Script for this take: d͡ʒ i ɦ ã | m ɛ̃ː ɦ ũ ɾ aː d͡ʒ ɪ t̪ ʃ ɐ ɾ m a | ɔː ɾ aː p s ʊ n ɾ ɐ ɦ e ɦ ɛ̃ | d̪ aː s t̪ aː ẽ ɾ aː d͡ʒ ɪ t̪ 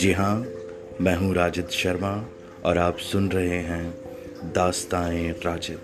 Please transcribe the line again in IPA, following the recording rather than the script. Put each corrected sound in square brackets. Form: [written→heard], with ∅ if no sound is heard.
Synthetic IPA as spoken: d͡ʒ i ɦ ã | m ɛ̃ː ɦ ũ ɾ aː d͡ʒ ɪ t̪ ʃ ɐ ɾ m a | ɔː ɾ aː p s ʊ n ɾ ɐ ɦ e ɦ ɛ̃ | d̪ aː s t̪ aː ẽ ɾ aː d͡ʒ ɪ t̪